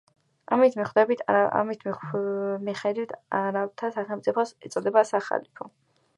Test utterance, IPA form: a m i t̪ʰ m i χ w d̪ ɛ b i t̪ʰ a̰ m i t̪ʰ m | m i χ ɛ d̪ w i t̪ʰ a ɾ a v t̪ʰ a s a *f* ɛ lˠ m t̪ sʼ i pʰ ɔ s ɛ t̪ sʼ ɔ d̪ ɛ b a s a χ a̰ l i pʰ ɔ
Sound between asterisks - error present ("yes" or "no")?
yes